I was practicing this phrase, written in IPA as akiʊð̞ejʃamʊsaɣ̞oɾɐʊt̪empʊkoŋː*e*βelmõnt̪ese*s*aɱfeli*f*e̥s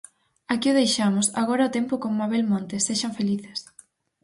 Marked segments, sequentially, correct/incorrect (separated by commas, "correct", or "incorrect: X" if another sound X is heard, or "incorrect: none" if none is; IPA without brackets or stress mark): incorrect: a, incorrect: ʃ, incorrect: θ